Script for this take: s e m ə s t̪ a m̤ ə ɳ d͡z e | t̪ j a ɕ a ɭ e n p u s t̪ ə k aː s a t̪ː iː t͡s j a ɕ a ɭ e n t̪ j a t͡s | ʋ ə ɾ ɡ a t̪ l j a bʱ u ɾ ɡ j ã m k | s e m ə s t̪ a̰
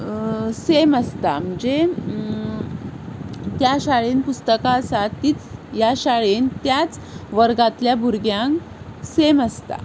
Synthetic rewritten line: s e m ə s t̪ a m̤ ə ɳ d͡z e | t̪ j a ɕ a ɭ e n p u s t̪ ə k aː s a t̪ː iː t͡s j a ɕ a ɭ e n t̪ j a t͡s | ʋ ə ɾ ɡ a t̪ l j a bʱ u ɾ ɡ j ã ŋ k | s e m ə s t̪ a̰